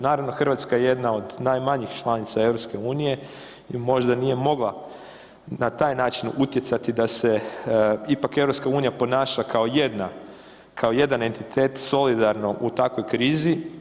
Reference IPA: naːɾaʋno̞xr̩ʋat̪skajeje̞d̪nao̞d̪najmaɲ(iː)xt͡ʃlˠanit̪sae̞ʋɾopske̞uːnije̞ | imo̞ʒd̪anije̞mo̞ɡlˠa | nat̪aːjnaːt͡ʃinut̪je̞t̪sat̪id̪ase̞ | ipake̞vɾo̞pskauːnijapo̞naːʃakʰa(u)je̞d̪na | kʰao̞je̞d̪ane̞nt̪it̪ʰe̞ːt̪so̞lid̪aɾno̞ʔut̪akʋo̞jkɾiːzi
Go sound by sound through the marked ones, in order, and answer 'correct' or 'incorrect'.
incorrect, incorrect

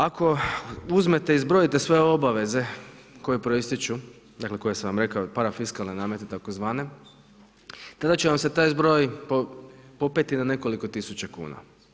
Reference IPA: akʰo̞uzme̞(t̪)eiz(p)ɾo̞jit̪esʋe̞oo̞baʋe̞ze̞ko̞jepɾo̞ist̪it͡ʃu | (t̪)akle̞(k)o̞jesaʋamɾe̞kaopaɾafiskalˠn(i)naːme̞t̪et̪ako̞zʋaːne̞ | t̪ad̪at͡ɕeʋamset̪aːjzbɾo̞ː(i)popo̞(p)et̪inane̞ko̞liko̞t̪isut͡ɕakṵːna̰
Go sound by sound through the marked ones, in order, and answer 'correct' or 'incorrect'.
correct, incorrect, incorrect, correct, incorrect, incorrect, correct

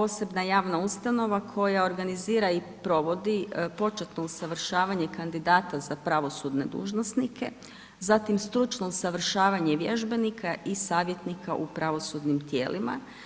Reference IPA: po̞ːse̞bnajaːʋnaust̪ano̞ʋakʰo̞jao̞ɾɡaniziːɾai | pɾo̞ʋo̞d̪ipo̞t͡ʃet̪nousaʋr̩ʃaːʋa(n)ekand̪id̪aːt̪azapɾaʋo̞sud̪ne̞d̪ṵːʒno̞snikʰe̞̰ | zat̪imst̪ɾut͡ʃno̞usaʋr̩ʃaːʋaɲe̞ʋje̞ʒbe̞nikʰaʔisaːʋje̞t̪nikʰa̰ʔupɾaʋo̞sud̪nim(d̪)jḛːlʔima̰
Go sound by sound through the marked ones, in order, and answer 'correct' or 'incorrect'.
incorrect, incorrect

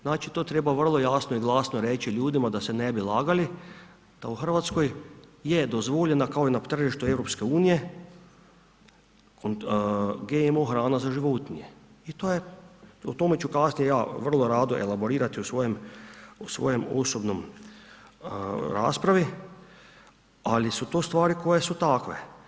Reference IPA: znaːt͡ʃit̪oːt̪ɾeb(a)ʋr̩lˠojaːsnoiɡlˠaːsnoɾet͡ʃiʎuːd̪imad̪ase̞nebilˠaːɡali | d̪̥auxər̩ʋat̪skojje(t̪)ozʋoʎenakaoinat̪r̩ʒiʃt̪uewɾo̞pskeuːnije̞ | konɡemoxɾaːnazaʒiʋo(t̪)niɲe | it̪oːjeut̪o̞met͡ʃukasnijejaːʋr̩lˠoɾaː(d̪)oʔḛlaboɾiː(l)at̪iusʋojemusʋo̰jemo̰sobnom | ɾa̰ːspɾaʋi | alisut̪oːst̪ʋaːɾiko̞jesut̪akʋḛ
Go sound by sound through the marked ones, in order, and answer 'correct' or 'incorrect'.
correct, incorrect, correct, correct, incorrect

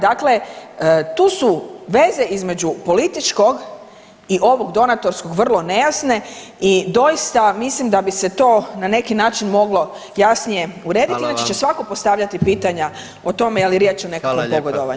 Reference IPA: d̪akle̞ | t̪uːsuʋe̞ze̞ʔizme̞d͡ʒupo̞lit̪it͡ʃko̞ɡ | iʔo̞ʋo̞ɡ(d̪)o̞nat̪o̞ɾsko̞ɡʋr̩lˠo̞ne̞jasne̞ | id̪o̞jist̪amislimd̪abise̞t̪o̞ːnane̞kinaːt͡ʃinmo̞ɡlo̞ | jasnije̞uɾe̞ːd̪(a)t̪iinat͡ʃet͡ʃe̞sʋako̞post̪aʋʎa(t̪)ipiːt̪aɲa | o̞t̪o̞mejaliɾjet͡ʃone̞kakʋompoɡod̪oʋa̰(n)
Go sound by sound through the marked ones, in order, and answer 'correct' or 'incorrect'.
correct, incorrect, correct, incorrect

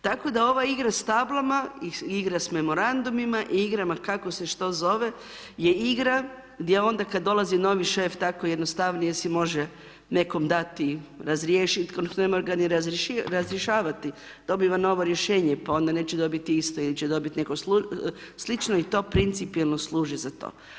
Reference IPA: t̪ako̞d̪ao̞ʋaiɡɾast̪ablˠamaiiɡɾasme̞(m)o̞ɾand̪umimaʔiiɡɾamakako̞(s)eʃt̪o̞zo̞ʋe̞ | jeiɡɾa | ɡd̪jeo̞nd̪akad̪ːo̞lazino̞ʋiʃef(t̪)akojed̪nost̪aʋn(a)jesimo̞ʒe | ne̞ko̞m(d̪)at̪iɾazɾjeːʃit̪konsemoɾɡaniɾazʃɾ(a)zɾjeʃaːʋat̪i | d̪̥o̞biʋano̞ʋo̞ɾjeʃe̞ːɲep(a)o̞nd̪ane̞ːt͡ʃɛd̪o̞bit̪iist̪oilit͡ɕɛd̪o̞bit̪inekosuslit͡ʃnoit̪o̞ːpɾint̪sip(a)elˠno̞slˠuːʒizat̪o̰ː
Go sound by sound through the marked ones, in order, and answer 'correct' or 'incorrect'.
correct, correct, correct, incorrect, correct, correct, correct, incorrect

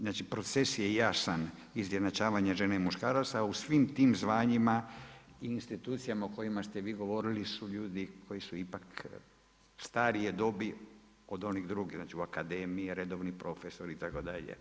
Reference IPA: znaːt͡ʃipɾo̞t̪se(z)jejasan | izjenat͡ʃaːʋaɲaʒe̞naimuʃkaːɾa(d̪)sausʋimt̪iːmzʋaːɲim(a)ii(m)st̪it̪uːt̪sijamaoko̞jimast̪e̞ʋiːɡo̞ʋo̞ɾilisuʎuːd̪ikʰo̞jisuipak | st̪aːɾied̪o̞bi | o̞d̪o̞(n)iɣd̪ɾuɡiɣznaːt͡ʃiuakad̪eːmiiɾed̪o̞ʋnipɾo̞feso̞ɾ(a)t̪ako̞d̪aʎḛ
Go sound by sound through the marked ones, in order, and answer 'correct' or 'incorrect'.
incorrect, incorrect, correct, incorrect, correct, incorrect

